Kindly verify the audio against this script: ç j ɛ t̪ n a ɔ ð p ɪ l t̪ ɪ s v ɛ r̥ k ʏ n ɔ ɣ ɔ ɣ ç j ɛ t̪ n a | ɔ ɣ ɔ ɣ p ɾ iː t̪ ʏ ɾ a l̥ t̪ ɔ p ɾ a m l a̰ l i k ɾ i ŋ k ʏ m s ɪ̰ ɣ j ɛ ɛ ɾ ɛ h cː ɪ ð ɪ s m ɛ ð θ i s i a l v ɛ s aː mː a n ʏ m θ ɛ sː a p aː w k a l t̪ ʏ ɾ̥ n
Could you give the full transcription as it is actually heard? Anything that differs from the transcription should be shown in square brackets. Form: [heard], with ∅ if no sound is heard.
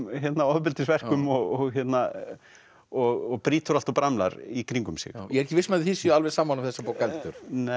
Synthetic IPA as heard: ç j ɛ t̪ n a ɔ ð p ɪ l t̪ ɪ s v ɛ r̥ k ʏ [m] ɔ ɣ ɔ ɣ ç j ɛ t̪ n a | ɔ ɣ ɔ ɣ p ɾ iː t̪ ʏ ɾ a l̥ t̪ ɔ p ɾ a m l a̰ [ɾ] i k ɾ i ŋ k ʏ m s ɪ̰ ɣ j ɛ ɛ ɾ ɛ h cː ɪ [v] ɪ s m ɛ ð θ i s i a l v ɛ s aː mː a n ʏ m θ ɛ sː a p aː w k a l t̪ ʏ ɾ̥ n